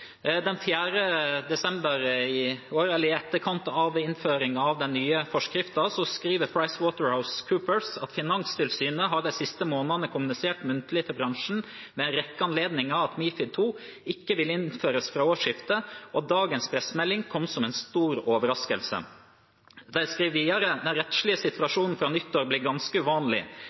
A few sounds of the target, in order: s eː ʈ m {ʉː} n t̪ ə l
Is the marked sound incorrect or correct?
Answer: incorrect: ʉ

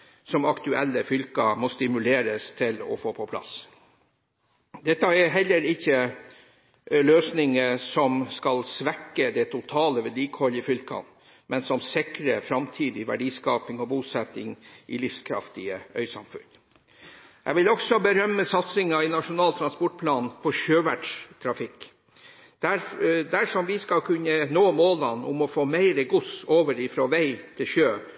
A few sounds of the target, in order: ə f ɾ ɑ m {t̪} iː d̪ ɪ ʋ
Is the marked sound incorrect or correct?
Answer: incorrect: t̪ʰ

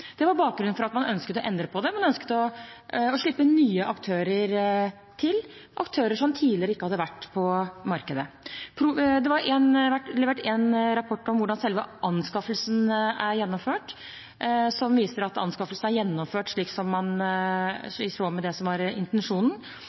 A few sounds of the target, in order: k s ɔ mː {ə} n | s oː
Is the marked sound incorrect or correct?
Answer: incorrect: ɑ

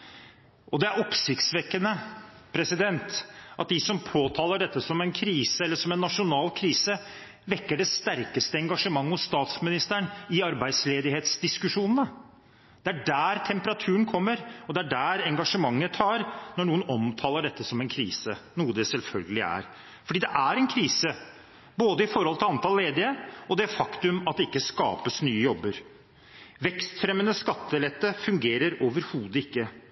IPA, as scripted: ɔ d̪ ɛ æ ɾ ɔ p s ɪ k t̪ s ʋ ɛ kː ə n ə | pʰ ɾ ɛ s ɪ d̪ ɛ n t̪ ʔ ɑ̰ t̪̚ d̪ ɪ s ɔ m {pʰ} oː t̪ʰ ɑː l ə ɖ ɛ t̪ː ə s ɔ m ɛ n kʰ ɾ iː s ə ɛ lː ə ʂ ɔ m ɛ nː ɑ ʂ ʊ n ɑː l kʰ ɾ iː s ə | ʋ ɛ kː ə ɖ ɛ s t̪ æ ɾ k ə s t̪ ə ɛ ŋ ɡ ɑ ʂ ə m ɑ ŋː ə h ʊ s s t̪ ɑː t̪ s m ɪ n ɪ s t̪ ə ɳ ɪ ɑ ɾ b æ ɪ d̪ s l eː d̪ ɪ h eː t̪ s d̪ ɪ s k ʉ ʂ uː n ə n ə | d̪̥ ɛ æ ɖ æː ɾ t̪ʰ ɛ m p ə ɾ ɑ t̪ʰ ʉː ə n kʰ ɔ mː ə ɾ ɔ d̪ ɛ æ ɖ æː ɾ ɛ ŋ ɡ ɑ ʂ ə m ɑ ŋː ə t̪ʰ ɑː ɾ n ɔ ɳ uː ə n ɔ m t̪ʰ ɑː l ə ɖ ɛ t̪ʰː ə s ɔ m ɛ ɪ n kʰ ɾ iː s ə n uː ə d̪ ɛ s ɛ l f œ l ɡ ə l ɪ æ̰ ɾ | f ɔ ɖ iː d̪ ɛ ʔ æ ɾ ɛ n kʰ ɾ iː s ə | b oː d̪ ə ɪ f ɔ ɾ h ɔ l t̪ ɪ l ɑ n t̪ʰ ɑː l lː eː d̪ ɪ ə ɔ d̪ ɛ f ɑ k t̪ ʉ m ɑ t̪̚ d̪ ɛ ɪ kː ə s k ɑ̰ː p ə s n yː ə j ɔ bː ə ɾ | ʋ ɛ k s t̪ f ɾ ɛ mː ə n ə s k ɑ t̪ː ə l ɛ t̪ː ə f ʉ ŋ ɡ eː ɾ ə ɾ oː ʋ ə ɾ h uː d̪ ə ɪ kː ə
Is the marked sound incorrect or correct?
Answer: correct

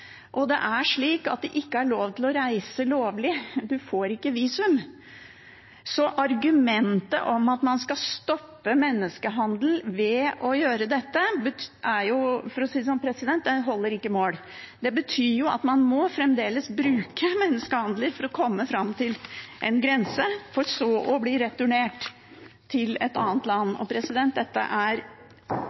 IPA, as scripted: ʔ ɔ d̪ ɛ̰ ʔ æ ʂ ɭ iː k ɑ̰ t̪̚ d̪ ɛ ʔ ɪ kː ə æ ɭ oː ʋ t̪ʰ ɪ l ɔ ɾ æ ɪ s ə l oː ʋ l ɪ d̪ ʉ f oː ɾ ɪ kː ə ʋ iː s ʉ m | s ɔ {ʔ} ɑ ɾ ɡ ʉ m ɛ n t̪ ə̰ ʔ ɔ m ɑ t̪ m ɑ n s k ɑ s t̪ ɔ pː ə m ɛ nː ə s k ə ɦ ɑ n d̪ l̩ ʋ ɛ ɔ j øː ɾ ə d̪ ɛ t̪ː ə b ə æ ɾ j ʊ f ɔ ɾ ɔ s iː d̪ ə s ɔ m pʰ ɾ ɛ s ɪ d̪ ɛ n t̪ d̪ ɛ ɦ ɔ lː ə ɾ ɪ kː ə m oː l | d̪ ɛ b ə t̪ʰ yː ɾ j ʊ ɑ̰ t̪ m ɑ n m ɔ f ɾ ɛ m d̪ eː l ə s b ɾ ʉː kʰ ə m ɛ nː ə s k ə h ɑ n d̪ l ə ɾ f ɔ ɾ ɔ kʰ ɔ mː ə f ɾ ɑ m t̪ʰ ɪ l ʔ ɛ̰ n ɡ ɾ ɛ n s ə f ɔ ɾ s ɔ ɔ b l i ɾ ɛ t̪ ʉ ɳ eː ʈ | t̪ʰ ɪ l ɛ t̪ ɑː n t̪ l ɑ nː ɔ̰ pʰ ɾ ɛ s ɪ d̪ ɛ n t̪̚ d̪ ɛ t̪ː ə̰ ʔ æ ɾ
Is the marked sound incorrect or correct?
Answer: correct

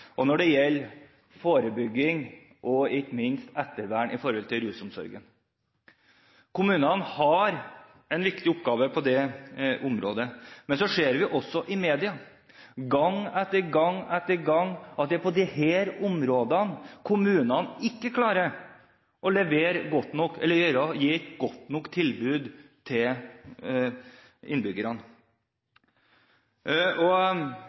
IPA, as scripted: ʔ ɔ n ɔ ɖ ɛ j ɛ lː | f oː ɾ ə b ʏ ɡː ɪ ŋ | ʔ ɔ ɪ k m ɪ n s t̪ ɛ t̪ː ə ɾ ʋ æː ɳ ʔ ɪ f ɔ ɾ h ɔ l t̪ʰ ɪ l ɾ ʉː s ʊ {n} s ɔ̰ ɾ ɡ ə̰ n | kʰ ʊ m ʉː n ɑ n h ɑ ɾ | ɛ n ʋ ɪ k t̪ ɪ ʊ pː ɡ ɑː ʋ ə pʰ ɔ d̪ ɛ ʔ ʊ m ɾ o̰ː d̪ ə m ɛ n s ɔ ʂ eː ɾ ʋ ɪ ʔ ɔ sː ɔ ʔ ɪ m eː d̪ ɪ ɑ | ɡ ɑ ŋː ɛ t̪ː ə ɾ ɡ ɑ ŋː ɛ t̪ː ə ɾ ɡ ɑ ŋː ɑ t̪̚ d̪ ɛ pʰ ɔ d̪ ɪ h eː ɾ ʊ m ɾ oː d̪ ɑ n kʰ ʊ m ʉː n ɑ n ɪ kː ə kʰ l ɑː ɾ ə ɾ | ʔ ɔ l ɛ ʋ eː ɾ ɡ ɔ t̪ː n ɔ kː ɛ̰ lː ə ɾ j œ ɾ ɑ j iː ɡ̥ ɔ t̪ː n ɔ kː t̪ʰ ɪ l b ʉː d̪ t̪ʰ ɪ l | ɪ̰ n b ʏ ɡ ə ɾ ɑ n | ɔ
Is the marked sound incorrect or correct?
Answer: incorrect: m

